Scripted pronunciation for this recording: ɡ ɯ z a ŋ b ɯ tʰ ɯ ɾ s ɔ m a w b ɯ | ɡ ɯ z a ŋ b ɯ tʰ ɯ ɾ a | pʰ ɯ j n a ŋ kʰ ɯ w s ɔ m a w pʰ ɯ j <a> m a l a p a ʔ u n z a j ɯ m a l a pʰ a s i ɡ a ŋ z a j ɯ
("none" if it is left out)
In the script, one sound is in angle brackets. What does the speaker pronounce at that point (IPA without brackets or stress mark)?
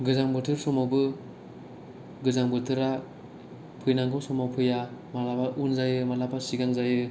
a